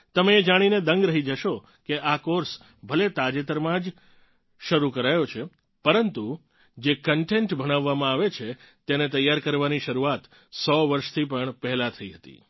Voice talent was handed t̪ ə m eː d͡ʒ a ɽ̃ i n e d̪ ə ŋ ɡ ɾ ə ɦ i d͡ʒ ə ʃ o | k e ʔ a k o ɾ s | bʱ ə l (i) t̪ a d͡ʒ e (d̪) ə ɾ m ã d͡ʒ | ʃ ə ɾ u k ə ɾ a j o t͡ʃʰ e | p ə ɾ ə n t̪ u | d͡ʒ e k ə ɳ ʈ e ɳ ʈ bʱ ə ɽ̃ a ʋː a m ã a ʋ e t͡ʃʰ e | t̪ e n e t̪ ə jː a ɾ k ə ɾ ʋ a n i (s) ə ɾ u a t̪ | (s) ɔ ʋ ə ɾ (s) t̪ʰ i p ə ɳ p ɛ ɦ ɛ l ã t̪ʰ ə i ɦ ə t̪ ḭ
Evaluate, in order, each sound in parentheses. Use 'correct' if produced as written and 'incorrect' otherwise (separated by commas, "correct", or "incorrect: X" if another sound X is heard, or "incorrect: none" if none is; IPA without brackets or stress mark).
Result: incorrect: e, incorrect: t̪, incorrect: ʃ, correct, incorrect: ʃ